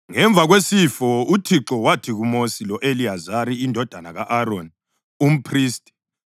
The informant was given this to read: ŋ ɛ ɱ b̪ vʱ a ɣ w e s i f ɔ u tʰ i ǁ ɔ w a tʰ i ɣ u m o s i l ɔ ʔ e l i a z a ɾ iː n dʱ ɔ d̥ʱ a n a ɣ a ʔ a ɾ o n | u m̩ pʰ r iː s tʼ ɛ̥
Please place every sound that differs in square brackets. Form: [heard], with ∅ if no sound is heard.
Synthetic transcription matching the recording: ŋ ɛ ɱ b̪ vʱ a ɣ w e s i f ɔ u tʰ i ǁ ɔ w a tʰ i ɣ u m o s i l ɔ ʔ e l i a z a ɾ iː n dʱ ɔ d̥ʱ a n a ɣ a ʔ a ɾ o n | u m̩ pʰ r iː s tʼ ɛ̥